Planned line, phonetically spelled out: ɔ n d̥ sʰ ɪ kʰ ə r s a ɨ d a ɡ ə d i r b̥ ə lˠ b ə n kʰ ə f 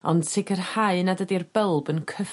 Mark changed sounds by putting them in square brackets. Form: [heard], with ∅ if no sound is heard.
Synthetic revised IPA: ɔ n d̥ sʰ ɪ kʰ ə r [h] a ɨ [n] a [d] ə d i r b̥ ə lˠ b ə n kʰ ə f